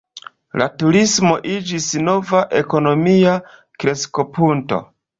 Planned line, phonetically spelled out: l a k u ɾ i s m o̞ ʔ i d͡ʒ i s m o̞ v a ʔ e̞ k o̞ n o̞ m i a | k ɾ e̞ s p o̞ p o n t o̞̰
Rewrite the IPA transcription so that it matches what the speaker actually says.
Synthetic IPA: l a t u ɾ i s m o̞ ʔ i d͡ʒ i s n o̞ v a ʔ e̞ k o̞ n o̞ m i a | k ɾ e̞ s k o̞ p u n t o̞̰